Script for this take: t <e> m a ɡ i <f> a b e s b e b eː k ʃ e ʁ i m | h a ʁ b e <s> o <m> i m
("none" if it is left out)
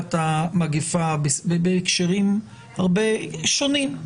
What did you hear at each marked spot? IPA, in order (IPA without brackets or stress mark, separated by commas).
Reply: a, f, ʃ, n